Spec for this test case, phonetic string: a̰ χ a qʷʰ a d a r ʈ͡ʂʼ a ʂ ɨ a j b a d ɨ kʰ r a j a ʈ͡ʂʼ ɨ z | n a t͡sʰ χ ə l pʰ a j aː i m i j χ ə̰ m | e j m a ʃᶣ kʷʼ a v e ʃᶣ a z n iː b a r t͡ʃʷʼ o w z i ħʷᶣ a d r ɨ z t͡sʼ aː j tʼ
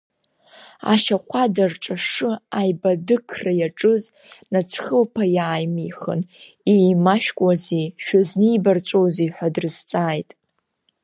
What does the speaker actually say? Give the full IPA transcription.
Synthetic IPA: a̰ ʃ a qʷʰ a d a r ʈ͡ʂʼ a ʂ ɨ a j b a d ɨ kʰ r a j a ʈ͡ʂʼ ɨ z | n a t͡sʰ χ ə l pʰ a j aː j m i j χ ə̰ n | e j m a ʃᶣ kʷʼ a z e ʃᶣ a z n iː b a r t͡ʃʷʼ o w z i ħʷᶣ a d r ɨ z t͡sʼ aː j tʼ

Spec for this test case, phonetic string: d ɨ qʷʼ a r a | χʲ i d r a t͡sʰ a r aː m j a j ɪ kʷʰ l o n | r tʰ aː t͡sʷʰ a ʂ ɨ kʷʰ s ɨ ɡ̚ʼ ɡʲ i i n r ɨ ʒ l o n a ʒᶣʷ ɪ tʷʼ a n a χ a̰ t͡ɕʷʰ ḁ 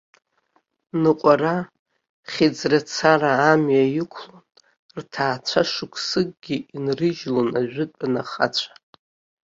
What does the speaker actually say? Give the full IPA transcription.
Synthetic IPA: n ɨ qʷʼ a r a | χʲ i d͡z r a t͡sʰ a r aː m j a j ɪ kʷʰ l o n | r tʰ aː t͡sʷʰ a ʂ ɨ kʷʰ s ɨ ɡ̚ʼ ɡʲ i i n r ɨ ʒ l o n a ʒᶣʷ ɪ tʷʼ a n a χ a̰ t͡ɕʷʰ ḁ

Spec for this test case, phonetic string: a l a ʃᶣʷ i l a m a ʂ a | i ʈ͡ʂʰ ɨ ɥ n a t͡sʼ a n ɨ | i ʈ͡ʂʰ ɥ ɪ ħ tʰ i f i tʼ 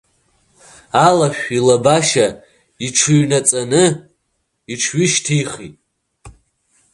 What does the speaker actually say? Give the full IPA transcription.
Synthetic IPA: a l a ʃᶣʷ i l a b a ʃ a | i ʈ͡ʂʰ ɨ ɥ n a t͡sʼ a n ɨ | i ʈ͡ʂʰ ɥ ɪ ʃ tʰ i χ i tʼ

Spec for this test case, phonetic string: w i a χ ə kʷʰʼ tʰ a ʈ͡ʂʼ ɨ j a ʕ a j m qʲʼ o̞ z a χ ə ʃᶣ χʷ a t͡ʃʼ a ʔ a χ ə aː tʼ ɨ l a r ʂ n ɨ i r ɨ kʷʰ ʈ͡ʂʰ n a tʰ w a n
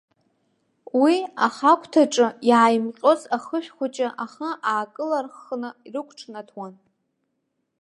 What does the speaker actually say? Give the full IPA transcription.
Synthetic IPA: w i a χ a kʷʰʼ tʰ a ʈ͡ʂʼ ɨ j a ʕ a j m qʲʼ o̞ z a χ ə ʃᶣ χʷ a t͡ʃʼ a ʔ a χ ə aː kʼ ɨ l a r χ n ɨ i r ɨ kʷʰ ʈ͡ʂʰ n a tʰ w a n

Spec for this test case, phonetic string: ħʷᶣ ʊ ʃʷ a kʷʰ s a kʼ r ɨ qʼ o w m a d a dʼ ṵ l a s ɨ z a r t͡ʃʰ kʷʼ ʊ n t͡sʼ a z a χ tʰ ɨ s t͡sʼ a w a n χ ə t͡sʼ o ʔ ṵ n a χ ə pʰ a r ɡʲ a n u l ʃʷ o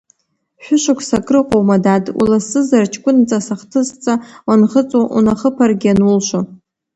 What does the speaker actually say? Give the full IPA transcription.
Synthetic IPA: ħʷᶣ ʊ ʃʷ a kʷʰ s a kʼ r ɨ qʼ o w m a d a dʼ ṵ l a s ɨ z a r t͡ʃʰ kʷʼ ʊ n t͡sʼ a s a χ tʰ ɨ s t͡sʼ a w a n χ ə t͡sʼ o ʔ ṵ n a χ ə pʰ a r ɡʲ a n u l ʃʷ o

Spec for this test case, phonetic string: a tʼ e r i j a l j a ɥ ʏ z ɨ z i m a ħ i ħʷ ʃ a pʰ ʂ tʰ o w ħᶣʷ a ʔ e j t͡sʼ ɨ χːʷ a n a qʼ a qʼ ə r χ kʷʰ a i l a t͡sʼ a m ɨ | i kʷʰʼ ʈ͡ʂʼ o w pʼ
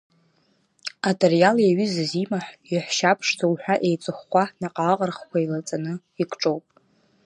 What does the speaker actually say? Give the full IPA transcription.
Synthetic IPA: a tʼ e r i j a l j a ɥ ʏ z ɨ z i m a ħ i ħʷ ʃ a pʰ ʂ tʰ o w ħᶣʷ a ʔ e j t͡sʼ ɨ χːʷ a n a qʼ a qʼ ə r χ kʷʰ a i l a t͡sʼ a n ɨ | i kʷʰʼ ʈ͡ʂʼ o w pʼ

